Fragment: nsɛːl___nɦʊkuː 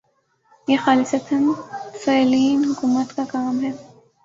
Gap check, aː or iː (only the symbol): iː